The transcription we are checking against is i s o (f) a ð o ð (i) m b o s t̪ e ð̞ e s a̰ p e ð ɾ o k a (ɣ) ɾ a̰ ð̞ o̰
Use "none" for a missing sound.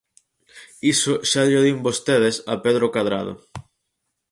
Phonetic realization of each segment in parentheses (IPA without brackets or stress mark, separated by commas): ʃ, i, ð